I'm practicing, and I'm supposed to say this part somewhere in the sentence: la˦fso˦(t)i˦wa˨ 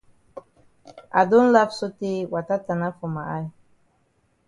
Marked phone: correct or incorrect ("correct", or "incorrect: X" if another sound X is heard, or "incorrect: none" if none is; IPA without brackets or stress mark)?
correct